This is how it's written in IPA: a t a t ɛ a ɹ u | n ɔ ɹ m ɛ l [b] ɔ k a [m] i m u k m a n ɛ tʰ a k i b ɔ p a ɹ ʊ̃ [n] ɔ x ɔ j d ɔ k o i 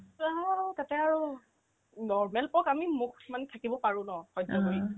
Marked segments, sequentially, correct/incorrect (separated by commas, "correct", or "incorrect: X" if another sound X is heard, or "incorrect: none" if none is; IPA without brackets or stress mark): incorrect: p, correct, correct